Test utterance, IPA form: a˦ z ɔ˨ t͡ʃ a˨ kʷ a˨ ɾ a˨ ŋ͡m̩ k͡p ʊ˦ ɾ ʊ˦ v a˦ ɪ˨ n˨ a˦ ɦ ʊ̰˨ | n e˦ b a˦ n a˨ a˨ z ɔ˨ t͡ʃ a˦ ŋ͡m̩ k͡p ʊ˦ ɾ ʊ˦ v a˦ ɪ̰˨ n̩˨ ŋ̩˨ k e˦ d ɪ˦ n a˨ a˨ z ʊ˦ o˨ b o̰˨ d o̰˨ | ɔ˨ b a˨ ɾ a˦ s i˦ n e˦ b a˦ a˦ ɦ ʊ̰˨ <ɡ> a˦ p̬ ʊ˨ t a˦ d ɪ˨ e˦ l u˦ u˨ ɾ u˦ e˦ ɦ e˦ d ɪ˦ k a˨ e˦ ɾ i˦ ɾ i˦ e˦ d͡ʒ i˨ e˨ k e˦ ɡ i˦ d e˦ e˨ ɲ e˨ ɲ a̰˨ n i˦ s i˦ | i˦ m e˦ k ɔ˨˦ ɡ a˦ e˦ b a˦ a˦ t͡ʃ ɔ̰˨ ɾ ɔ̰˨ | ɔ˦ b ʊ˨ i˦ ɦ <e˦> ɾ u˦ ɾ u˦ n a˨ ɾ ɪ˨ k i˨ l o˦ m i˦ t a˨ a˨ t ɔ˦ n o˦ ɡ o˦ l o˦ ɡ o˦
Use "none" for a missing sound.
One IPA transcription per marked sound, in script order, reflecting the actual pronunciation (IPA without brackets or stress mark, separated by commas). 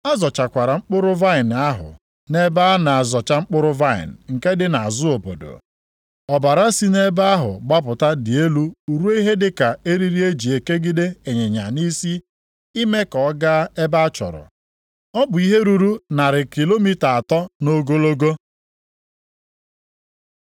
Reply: ɡ͡b, e˦